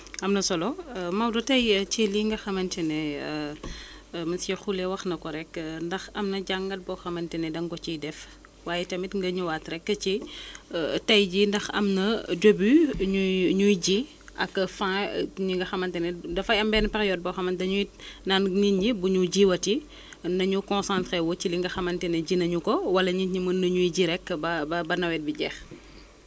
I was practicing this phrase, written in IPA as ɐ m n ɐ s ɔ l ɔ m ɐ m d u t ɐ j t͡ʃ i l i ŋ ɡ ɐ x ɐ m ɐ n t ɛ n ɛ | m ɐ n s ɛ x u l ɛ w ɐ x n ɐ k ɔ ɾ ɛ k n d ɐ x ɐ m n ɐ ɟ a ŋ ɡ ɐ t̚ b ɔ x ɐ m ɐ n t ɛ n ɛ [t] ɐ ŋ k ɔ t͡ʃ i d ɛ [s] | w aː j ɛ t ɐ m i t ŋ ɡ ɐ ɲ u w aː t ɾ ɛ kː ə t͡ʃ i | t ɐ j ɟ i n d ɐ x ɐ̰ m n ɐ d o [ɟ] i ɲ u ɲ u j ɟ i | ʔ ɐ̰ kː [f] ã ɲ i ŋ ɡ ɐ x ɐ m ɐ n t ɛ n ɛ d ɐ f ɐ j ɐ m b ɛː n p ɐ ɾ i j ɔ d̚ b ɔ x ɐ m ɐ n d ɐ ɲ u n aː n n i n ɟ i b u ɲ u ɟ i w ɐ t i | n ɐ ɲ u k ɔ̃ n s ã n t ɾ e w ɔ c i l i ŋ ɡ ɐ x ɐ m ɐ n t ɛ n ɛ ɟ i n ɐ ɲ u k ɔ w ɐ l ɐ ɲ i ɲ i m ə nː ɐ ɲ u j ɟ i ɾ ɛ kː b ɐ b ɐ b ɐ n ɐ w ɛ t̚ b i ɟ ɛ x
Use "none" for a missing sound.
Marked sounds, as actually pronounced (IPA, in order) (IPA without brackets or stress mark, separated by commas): d, f, b, f